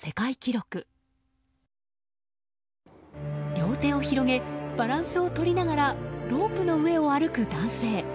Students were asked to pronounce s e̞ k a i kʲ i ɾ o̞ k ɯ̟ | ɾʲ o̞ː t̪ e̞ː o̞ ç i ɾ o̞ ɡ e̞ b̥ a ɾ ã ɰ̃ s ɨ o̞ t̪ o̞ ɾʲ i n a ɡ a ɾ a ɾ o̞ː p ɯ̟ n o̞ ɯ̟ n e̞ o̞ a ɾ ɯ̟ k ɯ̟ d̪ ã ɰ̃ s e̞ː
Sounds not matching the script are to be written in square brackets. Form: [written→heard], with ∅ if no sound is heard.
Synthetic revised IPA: s e̞ k a i kʲ i ɾ o̞ k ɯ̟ | ɾʲ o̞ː t̪ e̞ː o̞ ç i ɾ o̞ ɡ e̞ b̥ a ɾ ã ɰ̃ s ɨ o̞ t̪ o̞ ɾʲ i n a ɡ a ɾ a ɾ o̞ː p ɯ̟ n o̞ ɯ̟ [n→∅] e̞ o̞ a ɾ ɯ̟ k ɯ̟ d̪ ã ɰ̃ s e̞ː